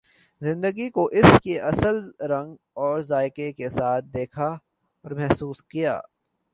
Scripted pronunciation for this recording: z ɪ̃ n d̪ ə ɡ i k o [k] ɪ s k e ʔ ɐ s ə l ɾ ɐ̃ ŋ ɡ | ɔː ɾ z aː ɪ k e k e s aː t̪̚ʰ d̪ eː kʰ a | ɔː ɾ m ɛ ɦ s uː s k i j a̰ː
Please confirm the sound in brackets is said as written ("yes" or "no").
no